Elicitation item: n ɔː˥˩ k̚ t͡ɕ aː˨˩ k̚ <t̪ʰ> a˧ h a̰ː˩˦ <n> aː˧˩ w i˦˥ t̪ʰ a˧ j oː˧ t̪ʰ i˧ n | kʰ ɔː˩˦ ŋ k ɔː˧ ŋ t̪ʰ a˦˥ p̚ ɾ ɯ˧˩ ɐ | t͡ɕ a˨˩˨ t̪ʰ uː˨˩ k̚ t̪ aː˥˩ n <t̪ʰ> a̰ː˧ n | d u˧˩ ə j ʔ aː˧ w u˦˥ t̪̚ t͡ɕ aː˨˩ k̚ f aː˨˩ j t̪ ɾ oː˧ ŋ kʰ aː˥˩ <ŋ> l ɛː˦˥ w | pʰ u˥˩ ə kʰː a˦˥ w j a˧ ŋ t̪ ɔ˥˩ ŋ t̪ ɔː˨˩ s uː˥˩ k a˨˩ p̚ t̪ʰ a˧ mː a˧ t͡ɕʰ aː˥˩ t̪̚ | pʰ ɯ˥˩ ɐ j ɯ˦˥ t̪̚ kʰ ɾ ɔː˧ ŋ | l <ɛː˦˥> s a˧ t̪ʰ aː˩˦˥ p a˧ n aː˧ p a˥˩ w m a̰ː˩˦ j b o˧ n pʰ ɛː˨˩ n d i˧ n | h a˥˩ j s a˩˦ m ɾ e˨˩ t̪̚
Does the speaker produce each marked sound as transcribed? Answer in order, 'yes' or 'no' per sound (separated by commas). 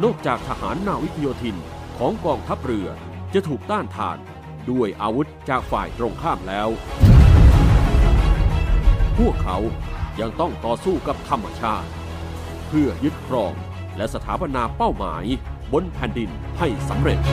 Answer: yes, no, yes, no, no